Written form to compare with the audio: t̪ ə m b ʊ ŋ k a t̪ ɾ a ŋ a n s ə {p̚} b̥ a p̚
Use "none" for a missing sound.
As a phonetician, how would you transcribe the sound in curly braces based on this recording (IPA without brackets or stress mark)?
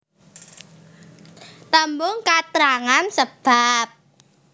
none